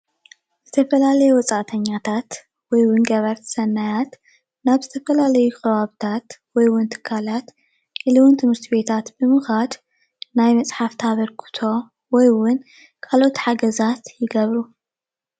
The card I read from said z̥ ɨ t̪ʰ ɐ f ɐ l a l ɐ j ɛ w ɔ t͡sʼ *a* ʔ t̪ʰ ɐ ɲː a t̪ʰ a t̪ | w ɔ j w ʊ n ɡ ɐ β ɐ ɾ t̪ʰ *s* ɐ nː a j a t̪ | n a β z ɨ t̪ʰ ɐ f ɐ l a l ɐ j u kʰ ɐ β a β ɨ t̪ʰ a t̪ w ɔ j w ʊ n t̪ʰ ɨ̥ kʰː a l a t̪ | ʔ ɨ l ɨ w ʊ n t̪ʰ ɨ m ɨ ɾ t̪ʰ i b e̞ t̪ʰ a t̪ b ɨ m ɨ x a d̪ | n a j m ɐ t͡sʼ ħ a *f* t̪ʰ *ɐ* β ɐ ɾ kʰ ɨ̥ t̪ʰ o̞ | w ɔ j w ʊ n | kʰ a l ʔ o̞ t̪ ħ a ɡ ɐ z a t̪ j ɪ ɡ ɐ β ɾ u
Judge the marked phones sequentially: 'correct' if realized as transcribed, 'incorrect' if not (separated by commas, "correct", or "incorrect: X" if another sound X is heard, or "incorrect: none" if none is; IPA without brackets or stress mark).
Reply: correct, correct, correct, incorrect: a